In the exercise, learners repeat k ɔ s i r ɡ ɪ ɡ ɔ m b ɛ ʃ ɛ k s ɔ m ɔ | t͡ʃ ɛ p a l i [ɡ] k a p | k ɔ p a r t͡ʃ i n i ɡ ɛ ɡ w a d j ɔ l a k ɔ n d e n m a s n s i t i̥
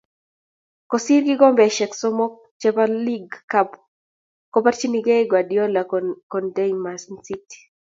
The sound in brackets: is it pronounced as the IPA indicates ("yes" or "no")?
yes